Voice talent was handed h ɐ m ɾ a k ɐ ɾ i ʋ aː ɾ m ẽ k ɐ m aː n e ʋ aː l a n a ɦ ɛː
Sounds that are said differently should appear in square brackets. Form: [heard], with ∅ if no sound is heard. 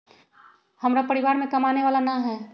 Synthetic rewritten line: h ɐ m ɾ a [p] ɐ ɾ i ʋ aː ɾ m ẽ k ɐ m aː n e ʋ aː l a n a ɦ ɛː